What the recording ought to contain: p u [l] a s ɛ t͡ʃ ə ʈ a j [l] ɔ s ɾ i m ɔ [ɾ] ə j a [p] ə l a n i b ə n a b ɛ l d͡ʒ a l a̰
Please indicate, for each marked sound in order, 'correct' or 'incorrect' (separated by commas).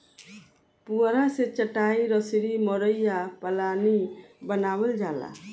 incorrect, incorrect, correct, correct